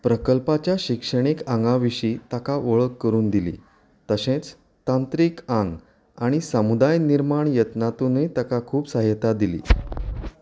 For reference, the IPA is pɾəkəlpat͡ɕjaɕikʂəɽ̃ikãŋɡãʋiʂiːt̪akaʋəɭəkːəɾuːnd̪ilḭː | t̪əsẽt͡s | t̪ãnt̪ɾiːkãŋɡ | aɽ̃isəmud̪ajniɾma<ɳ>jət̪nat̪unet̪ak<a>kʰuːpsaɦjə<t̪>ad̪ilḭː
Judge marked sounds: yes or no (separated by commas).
yes, yes, yes